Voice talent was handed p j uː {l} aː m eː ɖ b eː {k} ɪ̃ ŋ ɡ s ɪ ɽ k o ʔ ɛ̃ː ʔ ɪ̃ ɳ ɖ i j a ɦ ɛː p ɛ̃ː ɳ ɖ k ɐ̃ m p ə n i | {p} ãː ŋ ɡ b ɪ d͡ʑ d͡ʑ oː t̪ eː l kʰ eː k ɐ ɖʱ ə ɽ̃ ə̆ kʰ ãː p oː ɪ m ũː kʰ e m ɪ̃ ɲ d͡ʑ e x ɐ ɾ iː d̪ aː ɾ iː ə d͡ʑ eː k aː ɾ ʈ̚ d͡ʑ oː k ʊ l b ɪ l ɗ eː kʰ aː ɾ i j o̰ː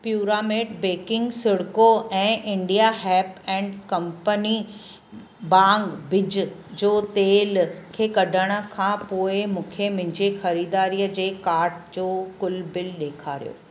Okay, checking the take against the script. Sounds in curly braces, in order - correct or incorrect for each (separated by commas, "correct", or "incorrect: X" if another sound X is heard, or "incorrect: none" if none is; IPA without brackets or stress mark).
incorrect: ɾ, correct, incorrect: b